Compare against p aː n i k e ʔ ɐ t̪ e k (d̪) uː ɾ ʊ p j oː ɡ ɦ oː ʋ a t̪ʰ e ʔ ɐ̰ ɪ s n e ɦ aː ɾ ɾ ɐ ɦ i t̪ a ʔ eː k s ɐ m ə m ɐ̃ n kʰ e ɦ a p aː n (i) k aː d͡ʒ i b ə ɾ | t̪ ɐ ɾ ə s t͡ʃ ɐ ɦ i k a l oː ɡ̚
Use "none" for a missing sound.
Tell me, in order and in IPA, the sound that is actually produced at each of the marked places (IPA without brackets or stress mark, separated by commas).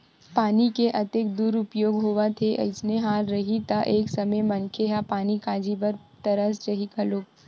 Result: d̪, i